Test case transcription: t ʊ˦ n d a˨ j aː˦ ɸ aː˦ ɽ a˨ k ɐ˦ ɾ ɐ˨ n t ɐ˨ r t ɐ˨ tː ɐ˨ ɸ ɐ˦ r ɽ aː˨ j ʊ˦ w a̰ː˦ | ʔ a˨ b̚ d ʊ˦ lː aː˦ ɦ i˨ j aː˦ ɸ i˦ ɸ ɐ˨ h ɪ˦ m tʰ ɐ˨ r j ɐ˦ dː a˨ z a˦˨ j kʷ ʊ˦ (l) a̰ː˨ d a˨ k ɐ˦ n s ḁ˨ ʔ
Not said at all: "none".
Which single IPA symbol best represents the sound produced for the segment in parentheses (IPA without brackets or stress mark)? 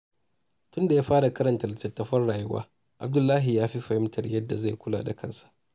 l